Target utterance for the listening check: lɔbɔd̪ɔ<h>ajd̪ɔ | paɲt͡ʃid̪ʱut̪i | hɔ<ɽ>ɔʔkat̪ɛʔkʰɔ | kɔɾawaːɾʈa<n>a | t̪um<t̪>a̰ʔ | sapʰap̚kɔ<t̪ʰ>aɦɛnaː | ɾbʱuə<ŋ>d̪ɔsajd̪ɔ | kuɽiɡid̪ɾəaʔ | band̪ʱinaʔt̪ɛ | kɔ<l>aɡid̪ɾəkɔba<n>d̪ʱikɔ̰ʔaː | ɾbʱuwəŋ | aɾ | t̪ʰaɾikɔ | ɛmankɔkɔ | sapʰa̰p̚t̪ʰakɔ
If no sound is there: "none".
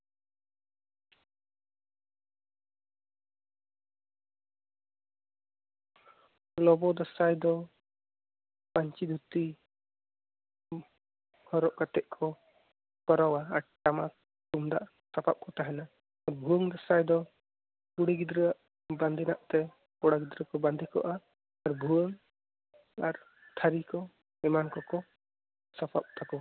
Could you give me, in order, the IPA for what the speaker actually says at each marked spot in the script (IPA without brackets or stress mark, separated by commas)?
s, ɾ, m, d̪, t̪, ŋ, ɽ, n